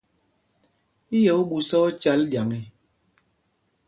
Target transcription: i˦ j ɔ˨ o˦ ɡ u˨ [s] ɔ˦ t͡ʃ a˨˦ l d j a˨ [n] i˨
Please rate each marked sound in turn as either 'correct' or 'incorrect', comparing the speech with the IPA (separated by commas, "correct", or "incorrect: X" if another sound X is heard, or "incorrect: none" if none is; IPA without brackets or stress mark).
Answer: correct, incorrect: ŋ